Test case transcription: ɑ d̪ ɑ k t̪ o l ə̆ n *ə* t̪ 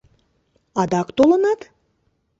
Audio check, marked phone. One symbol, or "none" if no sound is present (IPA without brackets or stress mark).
ɑ